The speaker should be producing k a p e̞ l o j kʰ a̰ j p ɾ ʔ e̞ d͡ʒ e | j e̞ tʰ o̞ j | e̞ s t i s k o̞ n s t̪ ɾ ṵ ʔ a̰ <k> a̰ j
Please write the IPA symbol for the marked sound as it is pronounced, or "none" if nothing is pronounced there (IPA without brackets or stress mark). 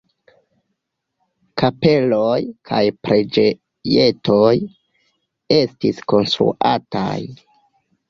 t